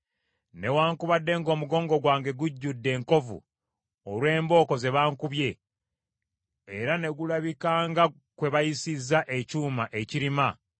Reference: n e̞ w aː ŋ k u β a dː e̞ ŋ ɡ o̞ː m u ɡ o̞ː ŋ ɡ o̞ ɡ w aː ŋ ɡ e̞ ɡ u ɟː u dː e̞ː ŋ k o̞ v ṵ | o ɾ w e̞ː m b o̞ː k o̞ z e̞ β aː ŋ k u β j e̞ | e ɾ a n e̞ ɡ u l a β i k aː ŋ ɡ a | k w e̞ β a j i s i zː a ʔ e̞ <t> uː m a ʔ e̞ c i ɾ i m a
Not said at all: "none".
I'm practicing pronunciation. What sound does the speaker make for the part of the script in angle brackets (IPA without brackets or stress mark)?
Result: c